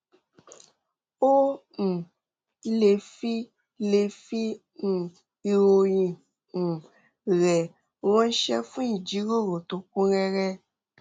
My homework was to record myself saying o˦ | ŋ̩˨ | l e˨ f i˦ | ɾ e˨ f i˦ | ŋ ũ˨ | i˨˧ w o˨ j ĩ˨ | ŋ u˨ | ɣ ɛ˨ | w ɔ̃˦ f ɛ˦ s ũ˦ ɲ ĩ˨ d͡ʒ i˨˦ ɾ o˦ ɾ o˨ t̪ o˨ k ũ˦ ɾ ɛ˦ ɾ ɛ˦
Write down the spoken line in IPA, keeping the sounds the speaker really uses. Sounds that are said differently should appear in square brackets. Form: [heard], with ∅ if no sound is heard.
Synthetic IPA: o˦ | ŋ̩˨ | l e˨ f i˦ | [l] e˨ f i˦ | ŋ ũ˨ | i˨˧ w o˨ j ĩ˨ | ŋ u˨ | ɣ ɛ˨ | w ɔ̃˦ [ʃ] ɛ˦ [f] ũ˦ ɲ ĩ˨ d͡ʒ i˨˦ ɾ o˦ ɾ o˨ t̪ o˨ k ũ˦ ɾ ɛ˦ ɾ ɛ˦

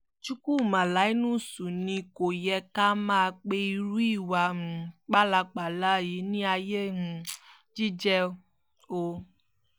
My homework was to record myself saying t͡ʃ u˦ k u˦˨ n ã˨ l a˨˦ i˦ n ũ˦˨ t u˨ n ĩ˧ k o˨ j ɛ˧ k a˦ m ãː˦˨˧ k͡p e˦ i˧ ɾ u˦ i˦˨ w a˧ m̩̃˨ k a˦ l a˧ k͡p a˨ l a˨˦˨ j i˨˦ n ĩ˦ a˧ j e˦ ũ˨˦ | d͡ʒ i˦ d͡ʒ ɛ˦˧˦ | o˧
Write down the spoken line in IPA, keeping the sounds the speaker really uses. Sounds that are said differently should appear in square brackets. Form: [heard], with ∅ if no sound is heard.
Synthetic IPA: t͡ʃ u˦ k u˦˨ [m] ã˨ l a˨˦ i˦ n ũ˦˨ [s] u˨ n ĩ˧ k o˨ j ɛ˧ k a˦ m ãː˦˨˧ k͡p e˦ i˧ ɾ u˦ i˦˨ w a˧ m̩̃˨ [k͡p] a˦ l a˧ k͡p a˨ l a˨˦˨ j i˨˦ n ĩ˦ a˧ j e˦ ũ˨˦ | d͡ʒ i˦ d͡ʒ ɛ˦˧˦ | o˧

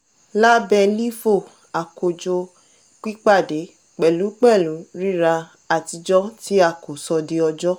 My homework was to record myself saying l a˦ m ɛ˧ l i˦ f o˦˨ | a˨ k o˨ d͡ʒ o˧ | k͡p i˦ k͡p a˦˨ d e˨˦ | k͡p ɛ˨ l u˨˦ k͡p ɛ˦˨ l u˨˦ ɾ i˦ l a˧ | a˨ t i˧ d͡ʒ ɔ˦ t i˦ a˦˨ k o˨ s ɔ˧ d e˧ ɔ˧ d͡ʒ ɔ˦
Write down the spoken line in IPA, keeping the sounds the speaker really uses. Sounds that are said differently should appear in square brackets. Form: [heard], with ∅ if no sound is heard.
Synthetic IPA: l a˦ [b] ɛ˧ l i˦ f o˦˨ | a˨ k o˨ d͡ʒ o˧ | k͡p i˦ k͡p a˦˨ d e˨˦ | k͡p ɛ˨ l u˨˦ k͡p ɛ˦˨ l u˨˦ ɾ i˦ [ɾ] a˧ | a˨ t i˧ d͡ʒ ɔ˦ t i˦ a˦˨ k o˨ s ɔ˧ d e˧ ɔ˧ d͡ʒ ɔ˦

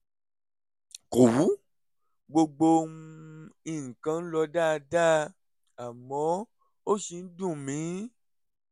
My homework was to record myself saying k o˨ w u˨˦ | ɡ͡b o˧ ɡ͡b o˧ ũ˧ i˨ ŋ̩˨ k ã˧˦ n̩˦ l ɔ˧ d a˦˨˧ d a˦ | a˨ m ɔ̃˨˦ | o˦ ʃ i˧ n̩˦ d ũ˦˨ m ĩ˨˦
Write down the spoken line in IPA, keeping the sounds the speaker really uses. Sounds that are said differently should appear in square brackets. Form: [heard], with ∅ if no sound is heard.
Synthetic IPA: k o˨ w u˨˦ | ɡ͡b o˧ ɡ͡b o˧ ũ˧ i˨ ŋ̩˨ k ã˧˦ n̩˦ l ɔ˧ d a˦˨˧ d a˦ | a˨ m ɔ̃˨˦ | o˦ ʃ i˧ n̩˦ d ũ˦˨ m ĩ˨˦

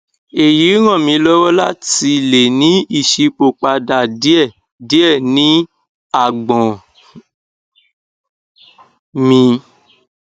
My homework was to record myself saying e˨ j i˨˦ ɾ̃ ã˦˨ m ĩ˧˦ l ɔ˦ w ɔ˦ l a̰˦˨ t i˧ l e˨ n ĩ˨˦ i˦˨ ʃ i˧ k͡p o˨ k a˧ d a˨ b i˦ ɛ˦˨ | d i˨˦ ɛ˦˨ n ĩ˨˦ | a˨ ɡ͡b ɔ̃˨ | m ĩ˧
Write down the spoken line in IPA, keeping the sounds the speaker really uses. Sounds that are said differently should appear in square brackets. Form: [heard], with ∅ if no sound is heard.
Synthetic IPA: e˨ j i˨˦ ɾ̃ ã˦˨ m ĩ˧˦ l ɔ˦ w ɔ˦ l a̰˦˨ t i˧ l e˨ n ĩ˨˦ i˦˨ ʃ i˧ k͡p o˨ [k͡p] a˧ d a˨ [d] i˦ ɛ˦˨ | d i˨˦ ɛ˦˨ n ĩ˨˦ | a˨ ɡ͡b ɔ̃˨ | m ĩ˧

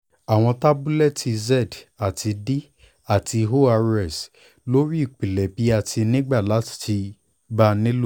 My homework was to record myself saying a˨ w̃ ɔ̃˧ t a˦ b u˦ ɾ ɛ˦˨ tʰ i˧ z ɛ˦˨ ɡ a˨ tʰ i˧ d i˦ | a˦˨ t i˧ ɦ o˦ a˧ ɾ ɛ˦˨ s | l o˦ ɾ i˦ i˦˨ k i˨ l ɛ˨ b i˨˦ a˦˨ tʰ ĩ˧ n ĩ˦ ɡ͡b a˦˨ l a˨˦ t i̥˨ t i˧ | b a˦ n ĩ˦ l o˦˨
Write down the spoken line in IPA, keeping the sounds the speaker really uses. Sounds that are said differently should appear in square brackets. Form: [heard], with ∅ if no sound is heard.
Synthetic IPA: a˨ w̃ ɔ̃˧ t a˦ b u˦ [l] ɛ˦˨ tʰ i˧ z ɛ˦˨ [d] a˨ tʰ i˧ d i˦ | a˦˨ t i˧ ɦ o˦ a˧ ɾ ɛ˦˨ s | l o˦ ɾ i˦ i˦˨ [k͡p] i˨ l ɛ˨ b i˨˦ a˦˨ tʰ [i˧] n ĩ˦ ɡ͡b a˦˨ l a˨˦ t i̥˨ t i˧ | b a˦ n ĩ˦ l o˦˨

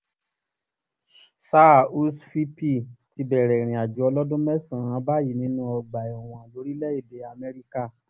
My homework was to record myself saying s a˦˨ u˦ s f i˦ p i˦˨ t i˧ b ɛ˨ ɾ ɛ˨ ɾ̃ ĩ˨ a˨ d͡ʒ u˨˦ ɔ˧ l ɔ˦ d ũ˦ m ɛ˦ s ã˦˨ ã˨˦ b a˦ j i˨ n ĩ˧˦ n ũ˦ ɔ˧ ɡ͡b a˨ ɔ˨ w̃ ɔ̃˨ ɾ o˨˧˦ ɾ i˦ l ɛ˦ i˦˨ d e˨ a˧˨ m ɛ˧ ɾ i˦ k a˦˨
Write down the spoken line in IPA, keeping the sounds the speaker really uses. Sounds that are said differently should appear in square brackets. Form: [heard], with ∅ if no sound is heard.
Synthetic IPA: s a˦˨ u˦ s f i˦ p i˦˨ t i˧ b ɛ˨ ɾ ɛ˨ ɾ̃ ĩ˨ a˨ d͡ʒ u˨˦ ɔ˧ l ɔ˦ d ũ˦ m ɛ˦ s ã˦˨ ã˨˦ b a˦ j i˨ n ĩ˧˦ n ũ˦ ɔ˧ ɡ͡b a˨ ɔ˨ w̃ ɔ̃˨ [l] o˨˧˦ ɾ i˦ l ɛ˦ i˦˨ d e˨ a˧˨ m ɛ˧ ɾ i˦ k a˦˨

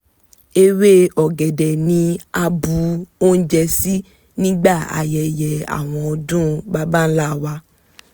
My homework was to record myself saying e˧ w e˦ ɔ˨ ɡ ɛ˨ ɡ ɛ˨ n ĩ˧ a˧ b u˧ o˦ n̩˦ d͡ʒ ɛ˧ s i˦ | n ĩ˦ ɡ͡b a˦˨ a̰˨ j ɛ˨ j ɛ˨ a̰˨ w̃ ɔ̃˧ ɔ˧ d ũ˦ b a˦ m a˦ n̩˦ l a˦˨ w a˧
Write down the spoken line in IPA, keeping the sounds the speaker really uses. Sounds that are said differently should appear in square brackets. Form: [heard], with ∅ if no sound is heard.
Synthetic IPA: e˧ w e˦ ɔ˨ ɡ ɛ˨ [d] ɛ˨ n ĩ˧ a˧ b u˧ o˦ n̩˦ d͡ʒ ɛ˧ s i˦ | n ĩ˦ ɡ͡b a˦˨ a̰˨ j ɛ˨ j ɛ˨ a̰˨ w̃ ɔ̃˧ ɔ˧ d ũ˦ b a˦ [b] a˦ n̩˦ l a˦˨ w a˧

